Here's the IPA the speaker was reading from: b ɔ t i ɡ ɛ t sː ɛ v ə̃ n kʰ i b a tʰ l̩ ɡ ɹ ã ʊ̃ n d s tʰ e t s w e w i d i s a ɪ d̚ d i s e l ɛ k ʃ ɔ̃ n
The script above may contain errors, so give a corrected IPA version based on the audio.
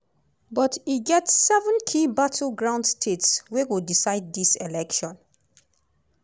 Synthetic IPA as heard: b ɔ t i ɡ ɛ t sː ɛ v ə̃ n kʰ i b a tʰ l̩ ɡ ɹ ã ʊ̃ n d s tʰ e t s w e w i d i s a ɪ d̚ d i s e l ɛ k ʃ ɔ̃ n